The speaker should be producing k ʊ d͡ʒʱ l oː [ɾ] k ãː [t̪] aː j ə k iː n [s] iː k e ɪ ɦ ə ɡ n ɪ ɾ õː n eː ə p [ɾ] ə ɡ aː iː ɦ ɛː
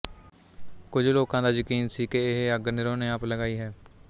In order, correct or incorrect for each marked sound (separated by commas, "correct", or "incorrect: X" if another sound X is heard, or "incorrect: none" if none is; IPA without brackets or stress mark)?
incorrect: none, incorrect: d̪, correct, incorrect: l